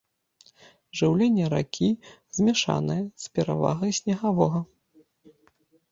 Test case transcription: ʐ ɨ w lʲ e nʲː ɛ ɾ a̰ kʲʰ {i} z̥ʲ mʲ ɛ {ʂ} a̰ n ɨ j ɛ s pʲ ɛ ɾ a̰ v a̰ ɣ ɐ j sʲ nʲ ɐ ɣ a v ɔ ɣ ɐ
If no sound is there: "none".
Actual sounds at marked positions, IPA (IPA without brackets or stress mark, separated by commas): i, ʂ